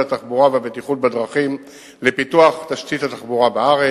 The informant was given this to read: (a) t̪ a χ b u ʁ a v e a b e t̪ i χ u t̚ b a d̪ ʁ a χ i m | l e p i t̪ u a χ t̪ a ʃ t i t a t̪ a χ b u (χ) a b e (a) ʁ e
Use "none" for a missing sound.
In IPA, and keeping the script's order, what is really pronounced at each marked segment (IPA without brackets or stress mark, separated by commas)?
a, ʁ, a